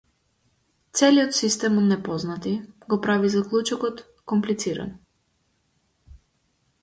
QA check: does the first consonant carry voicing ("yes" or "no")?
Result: no